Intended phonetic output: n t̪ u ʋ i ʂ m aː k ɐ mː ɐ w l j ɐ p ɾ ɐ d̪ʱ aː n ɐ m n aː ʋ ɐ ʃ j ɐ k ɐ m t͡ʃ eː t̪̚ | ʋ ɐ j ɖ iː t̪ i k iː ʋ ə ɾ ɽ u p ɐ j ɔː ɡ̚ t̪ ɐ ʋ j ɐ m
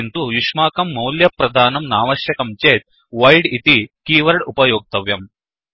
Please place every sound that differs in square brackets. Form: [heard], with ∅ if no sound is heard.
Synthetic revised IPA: n t̪ u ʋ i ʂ m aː k ɐ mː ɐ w l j ɐ p ɾ ɐ d̪ʱ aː n ɐ m n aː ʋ ɐ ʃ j ɐ k ɐ m t͡ʃ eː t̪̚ | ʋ ɐ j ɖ [i] t̪ i k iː ʋ [ɐ] ɾ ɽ u p ɐ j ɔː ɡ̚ t̪ ɐ ʋ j ɐ m